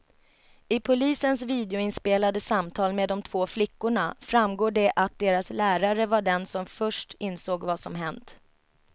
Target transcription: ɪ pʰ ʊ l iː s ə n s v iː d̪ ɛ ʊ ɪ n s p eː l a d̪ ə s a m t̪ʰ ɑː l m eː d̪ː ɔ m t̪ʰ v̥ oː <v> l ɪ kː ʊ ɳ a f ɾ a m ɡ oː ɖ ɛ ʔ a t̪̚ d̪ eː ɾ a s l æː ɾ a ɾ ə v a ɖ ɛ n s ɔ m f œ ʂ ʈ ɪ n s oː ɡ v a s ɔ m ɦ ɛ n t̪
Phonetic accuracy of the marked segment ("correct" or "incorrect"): incorrect